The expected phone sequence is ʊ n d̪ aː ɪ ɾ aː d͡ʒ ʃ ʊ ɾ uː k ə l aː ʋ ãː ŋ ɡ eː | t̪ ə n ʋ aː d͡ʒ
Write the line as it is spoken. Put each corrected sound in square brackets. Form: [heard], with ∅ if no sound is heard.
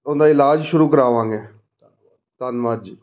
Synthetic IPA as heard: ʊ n d̪ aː ɪ [l] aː d͡ʒ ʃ ʊ ɾ uː k ə [ɾ] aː ʋ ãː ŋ ɡ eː | t̪ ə n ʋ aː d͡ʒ